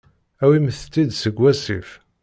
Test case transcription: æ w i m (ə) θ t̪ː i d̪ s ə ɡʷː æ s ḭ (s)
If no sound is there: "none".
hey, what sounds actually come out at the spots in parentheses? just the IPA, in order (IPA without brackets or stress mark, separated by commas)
ə, f